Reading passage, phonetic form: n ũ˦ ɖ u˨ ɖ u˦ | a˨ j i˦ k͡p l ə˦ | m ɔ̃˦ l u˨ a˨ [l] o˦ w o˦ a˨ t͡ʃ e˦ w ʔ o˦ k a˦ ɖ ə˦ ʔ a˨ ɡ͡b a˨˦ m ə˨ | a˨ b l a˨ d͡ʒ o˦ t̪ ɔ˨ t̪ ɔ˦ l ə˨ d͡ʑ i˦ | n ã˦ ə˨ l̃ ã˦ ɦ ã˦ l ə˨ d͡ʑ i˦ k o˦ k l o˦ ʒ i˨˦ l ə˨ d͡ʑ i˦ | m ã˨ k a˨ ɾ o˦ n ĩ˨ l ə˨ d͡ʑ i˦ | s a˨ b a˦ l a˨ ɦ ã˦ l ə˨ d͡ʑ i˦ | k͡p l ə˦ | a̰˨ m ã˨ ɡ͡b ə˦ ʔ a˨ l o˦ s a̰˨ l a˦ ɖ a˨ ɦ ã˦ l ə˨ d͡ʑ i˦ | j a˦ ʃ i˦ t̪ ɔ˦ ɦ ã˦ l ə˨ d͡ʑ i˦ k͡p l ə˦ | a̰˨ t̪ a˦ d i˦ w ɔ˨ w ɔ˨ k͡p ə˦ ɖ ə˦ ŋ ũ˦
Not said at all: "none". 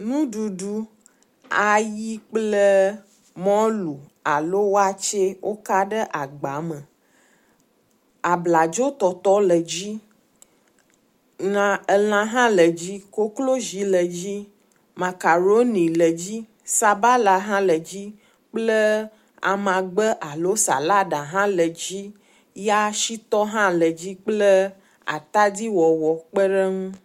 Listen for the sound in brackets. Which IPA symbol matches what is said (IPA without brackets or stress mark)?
l